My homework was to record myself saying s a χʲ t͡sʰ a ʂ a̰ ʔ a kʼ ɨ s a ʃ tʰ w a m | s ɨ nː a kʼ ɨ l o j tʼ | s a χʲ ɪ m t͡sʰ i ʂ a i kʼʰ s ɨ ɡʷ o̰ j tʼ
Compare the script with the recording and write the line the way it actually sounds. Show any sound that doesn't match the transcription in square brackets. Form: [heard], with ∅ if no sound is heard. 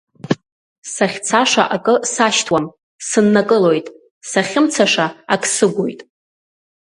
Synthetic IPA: s a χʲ t͡sʰ a ʂ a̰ ʔ a kʼ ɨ s a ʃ tʰ w a m | s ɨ nː a kʼ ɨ l o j tʼ | s a χʲ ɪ m t͡sʰ [a] ʂ a [a] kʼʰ s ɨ ɡʷ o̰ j tʼ